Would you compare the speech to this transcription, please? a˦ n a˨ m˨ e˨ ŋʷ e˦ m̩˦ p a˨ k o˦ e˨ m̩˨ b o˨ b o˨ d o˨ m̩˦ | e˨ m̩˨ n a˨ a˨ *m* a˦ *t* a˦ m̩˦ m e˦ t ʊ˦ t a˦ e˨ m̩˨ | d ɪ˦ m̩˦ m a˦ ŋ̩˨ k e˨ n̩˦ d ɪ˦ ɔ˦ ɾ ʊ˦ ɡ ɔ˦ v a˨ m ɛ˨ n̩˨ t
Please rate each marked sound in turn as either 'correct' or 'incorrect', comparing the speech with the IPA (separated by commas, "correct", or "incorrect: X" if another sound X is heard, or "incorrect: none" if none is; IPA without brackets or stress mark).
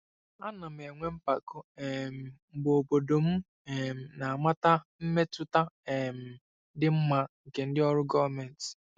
correct, correct